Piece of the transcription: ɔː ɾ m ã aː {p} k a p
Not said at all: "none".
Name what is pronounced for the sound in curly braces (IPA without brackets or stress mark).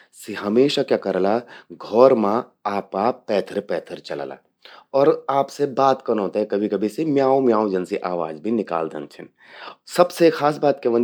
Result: p